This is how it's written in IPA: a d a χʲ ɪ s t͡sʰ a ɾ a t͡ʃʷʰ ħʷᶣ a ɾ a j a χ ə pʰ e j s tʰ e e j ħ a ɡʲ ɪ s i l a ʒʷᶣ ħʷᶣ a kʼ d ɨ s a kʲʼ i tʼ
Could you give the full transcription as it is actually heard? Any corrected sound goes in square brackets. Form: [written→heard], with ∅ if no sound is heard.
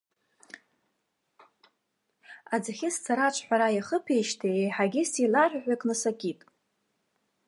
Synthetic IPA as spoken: a [d→d͡z] a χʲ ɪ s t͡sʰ a ɾ a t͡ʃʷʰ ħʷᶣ a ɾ a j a χ ə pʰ e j [s→ʃ] tʰ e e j ħ a ɡʲ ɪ s i l a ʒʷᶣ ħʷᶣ a kʼ [d→n] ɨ s a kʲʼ i tʼ